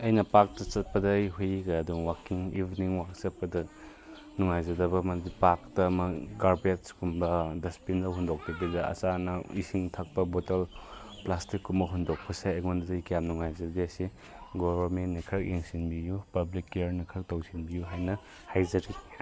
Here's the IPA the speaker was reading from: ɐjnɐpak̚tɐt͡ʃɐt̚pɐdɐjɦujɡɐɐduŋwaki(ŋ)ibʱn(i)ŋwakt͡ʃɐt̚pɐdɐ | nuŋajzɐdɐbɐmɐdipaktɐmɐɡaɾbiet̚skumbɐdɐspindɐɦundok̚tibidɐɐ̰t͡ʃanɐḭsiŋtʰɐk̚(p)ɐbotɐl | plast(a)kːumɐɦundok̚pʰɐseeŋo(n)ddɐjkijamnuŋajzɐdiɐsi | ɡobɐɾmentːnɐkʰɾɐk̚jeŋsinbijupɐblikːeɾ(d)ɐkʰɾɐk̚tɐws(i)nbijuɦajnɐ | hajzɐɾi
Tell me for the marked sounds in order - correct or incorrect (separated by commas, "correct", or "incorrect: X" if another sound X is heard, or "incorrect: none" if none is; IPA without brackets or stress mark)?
correct, correct, correct, incorrect: i, correct, incorrect: n, correct